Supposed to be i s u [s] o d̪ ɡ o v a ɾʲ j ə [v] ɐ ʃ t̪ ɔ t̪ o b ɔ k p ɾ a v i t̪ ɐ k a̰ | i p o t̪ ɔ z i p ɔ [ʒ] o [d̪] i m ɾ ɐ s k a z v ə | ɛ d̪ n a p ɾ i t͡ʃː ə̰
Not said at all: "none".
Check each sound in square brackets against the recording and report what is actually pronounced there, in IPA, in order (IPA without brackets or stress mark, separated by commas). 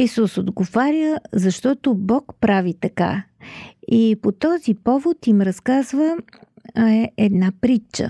s, z, v, t̪